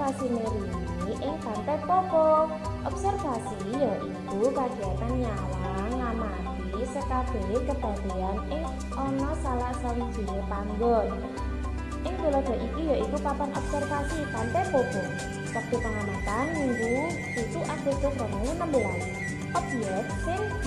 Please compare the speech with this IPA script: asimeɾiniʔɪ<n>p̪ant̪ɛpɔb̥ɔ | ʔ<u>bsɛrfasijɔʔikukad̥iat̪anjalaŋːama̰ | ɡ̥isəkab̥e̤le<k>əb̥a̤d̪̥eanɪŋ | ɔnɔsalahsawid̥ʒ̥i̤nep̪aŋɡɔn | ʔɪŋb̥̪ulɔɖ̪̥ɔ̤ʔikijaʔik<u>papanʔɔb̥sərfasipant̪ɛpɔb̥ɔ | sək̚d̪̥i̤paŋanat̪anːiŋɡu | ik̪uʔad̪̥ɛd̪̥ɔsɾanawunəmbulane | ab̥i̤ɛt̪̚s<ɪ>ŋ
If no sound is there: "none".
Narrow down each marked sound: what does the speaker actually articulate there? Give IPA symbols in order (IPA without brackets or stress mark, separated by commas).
ŋ, ɔ, k, u, ɪ